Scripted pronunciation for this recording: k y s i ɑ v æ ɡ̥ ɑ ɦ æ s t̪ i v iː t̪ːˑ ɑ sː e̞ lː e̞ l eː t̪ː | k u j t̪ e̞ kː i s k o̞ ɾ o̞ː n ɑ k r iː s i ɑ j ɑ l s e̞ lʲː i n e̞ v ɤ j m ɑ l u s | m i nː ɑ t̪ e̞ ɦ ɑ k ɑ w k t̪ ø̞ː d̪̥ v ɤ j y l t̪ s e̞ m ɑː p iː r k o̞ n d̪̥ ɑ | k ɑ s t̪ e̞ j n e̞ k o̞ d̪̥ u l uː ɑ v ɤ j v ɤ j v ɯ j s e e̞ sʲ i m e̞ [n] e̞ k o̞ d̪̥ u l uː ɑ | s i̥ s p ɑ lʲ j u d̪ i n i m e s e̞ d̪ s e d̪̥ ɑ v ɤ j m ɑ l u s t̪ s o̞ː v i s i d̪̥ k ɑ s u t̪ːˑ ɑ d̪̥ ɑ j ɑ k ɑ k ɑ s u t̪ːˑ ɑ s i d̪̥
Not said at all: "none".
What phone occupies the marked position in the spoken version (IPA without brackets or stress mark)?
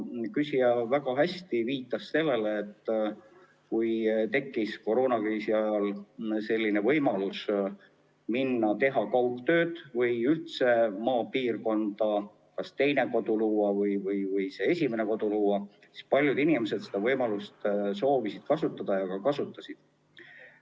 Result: n